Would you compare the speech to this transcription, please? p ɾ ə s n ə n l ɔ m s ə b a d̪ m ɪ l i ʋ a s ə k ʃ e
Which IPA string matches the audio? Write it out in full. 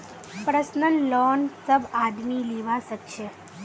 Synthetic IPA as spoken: p ɾ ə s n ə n l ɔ n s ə b a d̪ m i l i ʋ a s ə k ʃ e